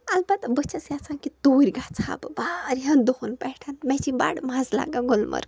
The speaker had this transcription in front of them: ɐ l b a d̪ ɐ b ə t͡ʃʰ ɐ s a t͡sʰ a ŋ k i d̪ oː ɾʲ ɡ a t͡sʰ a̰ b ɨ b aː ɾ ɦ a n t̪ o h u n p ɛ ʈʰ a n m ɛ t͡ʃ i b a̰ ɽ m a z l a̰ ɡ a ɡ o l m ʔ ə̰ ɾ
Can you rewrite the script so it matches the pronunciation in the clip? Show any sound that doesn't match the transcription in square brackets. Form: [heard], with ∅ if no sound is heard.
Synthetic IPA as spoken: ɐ l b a [t̪] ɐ b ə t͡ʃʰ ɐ s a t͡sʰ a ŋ k i [t̪] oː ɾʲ ɡ a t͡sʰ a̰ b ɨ b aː ɾ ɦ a n [d̪] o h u n p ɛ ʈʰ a n m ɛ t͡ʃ i b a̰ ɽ m a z l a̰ ɡ a ɡ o l m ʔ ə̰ ɾ